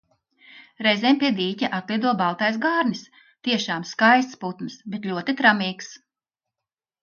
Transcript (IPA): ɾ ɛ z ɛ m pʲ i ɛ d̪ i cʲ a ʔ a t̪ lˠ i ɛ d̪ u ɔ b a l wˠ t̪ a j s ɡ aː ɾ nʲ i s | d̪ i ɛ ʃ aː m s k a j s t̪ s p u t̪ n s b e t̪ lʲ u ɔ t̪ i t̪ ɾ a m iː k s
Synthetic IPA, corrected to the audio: ɾ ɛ z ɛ m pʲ i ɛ d̪ iː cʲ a ʔ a t̪ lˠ i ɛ d̪ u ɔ b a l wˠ t̪ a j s ɡ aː ɾ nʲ i s | t̪ i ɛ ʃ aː m s k a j s t̪ s p u t̪ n s b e t̪ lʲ u ɔ t̪ i t̪ ɾ a m iː k s